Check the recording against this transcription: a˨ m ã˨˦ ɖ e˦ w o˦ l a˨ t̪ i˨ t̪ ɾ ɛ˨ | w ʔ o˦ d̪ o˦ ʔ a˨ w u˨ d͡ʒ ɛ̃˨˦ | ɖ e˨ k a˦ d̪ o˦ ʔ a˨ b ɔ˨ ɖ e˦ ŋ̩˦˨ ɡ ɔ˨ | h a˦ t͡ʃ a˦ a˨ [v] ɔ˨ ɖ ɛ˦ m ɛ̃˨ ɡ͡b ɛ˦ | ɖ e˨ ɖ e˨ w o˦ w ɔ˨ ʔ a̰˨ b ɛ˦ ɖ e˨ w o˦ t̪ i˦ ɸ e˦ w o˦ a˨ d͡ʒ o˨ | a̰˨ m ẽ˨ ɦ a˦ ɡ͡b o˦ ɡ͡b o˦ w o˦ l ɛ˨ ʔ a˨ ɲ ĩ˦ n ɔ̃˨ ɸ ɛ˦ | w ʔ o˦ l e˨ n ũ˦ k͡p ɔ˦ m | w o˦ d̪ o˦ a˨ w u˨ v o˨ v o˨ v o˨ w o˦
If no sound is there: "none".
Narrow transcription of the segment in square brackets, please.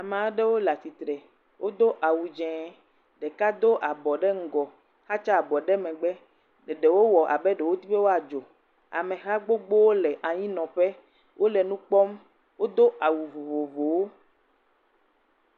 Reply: b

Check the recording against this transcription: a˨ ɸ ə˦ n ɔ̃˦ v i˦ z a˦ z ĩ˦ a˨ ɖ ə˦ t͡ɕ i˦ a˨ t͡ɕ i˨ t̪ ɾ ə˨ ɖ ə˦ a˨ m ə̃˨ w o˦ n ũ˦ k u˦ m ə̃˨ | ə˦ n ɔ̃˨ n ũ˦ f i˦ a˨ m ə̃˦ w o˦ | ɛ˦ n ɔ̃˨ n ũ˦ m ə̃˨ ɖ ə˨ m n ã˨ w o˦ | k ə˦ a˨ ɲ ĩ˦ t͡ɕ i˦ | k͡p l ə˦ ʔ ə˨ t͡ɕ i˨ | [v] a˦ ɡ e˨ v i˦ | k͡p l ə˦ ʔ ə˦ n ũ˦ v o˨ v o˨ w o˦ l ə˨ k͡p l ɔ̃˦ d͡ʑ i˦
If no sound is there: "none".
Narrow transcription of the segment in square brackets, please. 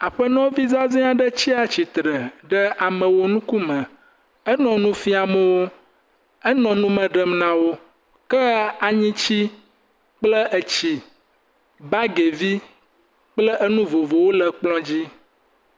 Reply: b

